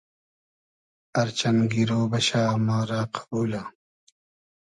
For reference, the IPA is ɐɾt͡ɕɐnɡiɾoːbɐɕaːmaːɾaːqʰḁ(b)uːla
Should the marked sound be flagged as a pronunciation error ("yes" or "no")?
no